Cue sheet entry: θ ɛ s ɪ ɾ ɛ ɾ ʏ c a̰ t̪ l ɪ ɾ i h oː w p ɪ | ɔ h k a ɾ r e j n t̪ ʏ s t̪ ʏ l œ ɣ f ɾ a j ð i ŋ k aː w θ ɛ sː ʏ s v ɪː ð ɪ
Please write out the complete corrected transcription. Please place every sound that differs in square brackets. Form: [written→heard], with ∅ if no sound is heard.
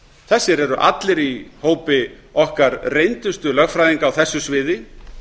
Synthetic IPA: θ ɛ [s→sː] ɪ ɾ ɛ ɾ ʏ [c→ʔ] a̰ t̪ l ɪ ɾ i h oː w p ɪ | ɔ h k a ɾ r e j n t̪ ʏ s t̪ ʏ l œ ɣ f ɾ a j ð i ŋ k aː w θ ɛ sː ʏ s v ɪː ð ɪ